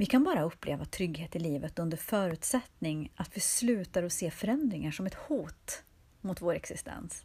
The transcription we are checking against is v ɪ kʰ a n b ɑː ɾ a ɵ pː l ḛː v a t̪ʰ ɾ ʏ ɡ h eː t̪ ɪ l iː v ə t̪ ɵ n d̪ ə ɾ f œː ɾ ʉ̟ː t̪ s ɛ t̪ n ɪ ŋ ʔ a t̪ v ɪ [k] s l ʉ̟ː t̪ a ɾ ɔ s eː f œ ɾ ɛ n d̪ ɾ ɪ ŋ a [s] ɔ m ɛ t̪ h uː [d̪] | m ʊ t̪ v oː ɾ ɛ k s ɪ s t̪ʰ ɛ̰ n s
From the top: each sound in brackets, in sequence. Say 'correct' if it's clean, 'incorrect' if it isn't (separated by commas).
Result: incorrect, incorrect, incorrect